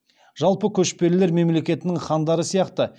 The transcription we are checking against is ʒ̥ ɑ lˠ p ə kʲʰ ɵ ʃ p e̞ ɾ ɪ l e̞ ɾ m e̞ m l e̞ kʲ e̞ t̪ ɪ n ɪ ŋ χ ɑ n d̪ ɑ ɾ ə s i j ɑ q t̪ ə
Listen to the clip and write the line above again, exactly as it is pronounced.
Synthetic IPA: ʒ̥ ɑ lˠ p ə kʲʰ ɵ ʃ p e̞ ɾ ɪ l e̞ ɾ m e̞ m l e̞ kʲ e̞ t̪ ɪ n ɪ ŋ χ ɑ n d̪ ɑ ɾ ə s i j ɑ q t̪ ə